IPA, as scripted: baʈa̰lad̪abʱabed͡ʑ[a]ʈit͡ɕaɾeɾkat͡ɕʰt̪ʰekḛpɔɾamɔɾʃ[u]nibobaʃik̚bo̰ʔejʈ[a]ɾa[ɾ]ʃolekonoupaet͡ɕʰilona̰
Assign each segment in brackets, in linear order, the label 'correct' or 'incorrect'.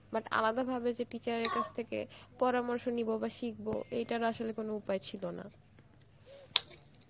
incorrect: e, incorrect: o, correct, incorrect: none

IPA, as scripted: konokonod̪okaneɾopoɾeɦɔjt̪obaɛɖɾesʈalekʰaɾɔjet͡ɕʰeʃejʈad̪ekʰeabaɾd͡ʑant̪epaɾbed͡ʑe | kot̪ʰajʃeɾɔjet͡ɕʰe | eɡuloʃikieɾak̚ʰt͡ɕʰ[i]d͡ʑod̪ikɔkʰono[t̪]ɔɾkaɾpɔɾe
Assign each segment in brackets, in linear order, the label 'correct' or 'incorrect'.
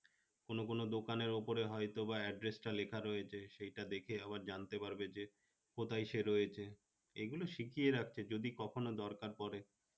incorrect: e, incorrect: d̪

